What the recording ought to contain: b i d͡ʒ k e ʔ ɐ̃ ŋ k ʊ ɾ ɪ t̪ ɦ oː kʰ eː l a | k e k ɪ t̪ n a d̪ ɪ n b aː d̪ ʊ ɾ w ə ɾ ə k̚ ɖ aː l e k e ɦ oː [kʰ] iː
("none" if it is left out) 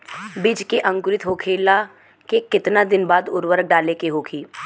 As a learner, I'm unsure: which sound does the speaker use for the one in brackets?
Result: kʰ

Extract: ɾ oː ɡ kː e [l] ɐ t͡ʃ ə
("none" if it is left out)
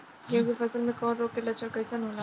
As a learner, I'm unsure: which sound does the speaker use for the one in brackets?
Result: l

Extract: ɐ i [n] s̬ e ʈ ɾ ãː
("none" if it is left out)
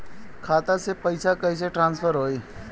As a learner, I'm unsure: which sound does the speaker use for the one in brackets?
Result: none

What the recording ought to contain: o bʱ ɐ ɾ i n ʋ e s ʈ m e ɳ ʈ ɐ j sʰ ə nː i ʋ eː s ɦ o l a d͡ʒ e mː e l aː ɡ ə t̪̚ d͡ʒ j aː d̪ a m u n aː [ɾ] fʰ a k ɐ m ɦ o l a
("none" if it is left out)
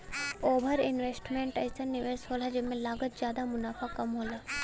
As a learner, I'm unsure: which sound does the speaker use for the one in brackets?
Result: none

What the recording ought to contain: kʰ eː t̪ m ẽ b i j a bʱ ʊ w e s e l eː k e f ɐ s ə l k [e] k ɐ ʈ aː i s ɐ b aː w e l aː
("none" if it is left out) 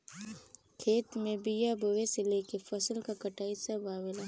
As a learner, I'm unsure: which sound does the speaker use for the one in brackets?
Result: a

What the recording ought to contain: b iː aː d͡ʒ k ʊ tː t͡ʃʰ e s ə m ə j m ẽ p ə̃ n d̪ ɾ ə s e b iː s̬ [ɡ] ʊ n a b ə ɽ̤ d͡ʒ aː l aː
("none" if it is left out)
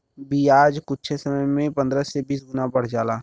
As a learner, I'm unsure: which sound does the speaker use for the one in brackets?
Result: ɡ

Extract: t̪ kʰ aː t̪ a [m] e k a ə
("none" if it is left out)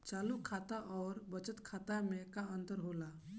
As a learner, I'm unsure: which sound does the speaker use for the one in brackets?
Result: m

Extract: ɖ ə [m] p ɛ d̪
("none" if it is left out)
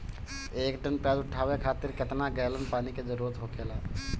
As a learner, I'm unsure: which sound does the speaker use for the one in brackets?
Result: n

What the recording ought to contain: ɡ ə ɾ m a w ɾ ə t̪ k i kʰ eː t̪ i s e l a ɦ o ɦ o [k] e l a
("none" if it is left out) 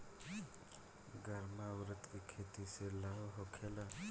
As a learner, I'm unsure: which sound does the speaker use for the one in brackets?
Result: kʰ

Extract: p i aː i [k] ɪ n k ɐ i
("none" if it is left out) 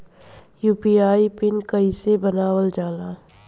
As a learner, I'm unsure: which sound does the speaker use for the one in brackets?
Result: p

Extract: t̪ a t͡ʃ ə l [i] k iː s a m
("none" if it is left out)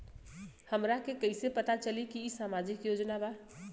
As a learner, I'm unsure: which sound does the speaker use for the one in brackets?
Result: i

